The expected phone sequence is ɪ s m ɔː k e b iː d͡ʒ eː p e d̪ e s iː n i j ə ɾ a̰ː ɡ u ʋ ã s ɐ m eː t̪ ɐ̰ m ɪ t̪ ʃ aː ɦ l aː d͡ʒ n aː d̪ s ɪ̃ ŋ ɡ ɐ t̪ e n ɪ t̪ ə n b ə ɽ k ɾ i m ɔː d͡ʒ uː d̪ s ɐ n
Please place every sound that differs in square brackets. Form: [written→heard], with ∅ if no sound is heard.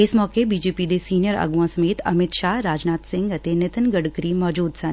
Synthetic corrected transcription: ɪ s m ɔː k e b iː d͡ʒ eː p [e→i] d̪ e s iː n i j ə ɾ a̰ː ɡ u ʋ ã s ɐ m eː t̪ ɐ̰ m ɪ t̪ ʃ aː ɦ [l→ɾ] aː d͡ʒ n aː [d̪→t̪] s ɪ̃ ŋ ɡ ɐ t̪ e n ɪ t̪ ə n [b→ɡ] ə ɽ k ɾ i m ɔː d͡ʒ uː d̪ s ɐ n